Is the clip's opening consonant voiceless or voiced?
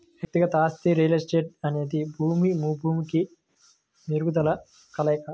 voiced